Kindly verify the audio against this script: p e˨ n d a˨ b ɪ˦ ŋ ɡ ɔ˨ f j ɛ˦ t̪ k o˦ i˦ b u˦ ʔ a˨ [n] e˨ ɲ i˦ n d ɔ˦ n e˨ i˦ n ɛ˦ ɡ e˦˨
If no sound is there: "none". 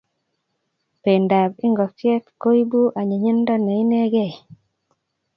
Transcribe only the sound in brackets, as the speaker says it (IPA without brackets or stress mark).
ɲ